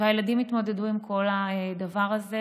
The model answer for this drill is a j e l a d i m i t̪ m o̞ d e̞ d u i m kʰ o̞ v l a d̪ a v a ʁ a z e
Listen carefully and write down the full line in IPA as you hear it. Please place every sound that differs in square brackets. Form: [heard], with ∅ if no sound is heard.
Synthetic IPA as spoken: a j e l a d i m i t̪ m o̞ d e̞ d u i m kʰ o̞ [∅] l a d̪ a v a ʁ a z e